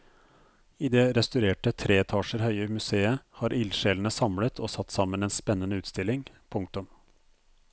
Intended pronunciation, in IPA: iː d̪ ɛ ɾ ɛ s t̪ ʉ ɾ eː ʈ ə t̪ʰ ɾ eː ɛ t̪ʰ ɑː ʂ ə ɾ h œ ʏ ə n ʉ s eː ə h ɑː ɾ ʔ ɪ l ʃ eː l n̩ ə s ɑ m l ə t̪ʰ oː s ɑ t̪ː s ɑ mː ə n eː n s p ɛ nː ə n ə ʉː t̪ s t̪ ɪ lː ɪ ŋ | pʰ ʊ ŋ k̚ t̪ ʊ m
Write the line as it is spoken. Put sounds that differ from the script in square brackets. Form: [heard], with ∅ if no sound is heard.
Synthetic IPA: iː d̪ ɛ ɾ ɛ s t̪ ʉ ɾ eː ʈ ə t̪ʰ ɾ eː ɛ t̪ʰ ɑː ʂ ə ɾ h œ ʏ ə [m] ʉ s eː ə h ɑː ɾ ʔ ɪ l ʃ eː l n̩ ə s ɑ m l ə t̪ʰ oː s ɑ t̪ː s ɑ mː ə n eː n s p ɛ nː ə n ə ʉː t̪ s t̪ ɪ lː ɪ ŋ | pʰ ʊ ŋ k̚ t̪ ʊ m